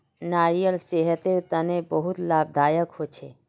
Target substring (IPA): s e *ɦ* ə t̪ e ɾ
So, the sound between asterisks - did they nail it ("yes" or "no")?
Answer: yes